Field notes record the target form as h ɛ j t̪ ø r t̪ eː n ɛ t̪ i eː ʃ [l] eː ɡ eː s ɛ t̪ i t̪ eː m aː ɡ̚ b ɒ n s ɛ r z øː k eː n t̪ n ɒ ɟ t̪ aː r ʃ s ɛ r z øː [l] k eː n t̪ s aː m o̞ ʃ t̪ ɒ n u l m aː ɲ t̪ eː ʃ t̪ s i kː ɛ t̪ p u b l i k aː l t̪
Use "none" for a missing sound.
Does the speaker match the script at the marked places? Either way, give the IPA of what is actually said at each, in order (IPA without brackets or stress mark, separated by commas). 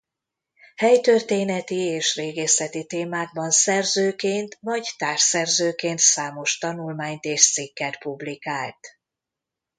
r, none